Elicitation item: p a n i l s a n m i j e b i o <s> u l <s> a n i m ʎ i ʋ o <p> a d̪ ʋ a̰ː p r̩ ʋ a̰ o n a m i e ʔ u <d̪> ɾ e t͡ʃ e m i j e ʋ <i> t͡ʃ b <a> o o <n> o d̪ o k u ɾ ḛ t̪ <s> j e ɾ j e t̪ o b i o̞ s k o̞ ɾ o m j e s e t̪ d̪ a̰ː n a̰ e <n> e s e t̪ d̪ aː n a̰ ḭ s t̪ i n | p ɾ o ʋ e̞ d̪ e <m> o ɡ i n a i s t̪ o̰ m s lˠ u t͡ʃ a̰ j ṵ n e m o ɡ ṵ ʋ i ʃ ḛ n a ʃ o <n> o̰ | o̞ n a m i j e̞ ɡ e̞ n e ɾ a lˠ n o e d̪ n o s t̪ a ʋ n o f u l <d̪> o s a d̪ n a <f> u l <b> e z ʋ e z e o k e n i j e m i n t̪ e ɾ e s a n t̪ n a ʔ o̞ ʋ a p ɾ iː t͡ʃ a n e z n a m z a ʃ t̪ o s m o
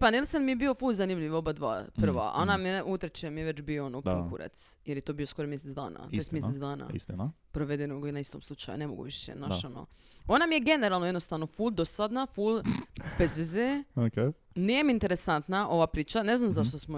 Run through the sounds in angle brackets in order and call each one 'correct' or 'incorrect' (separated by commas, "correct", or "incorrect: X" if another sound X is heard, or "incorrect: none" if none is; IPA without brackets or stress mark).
incorrect: f, incorrect: z, incorrect: b, incorrect: t̪, incorrect: e, incorrect: i, correct, correct, incorrect: m, incorrect: n, correct, correct, correct, correct